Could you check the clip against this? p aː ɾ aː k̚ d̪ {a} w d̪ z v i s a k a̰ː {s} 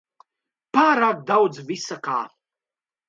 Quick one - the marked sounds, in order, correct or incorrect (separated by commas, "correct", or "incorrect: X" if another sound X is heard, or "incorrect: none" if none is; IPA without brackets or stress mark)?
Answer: correct, incorrect: none